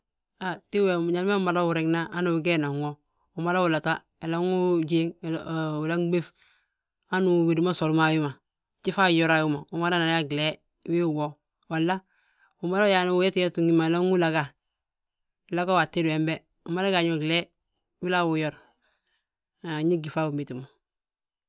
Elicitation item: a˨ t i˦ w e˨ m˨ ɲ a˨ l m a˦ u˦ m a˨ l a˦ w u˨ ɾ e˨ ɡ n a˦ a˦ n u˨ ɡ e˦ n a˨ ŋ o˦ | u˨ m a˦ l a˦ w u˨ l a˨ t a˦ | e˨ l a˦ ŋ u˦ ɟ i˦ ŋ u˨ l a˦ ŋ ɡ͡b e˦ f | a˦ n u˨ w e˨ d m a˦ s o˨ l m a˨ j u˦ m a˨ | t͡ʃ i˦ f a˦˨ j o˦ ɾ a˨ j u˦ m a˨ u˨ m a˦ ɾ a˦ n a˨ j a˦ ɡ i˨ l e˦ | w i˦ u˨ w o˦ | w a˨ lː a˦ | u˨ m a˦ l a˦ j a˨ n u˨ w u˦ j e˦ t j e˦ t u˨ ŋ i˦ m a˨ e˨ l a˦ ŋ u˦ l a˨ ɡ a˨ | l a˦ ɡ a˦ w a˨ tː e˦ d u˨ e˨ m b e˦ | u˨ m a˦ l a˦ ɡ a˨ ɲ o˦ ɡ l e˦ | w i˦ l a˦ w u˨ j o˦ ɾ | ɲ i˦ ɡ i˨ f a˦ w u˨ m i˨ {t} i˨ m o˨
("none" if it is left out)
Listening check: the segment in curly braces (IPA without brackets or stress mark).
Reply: t